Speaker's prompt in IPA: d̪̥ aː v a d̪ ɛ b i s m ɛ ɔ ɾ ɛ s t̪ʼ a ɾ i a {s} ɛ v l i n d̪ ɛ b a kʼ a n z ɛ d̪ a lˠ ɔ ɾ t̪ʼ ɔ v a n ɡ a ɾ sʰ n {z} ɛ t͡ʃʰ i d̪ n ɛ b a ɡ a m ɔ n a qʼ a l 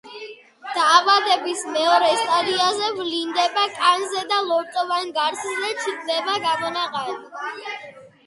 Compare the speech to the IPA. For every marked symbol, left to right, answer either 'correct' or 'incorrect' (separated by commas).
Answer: incorrect, correct